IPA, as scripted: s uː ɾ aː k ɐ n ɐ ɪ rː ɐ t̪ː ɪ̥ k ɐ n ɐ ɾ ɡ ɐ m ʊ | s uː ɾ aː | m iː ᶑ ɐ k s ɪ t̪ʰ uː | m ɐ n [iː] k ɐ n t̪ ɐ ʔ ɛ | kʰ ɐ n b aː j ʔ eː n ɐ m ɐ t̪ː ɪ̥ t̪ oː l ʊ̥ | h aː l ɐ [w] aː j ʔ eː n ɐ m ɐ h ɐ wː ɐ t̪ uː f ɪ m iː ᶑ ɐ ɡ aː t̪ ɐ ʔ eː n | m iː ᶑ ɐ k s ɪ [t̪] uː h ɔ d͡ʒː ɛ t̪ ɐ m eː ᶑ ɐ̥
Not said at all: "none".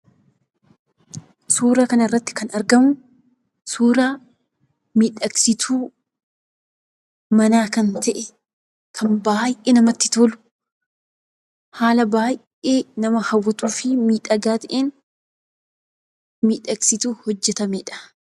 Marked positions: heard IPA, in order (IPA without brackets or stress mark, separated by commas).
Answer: aː, b, t̪